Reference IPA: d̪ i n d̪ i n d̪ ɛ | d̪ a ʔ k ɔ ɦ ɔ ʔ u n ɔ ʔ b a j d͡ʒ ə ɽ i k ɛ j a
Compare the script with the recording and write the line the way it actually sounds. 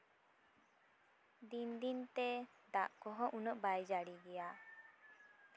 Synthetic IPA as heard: d̪ i n d̪ i n t̪ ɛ | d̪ a ʔ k ɔ ɦ ɔ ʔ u n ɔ ʔ b a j d͡ʒ a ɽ i ɡ ɛ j a